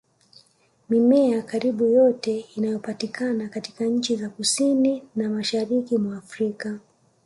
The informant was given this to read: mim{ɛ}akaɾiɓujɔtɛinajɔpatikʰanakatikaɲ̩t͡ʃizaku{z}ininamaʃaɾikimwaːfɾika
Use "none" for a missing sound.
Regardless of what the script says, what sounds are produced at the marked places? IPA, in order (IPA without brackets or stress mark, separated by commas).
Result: ɛ, s